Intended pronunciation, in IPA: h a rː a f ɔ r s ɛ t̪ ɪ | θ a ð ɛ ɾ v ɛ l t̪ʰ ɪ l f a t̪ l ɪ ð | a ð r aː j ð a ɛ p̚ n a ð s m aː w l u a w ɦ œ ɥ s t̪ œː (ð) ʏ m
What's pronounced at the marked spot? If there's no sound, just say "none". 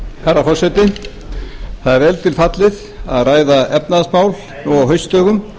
ɣ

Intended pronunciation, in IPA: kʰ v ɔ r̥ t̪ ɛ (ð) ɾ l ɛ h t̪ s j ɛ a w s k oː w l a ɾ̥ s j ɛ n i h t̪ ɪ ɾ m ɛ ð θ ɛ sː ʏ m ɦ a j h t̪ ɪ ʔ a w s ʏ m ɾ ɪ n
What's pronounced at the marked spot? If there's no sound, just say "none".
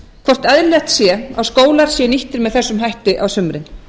ð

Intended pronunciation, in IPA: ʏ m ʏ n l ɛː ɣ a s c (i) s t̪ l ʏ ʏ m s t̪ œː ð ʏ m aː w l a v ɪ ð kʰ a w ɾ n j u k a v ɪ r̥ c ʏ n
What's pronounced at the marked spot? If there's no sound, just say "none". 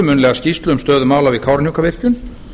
i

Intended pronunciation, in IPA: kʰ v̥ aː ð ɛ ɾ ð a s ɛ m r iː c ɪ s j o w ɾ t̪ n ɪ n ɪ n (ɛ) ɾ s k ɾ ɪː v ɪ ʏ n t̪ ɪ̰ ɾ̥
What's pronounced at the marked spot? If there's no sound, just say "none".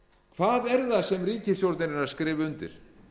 a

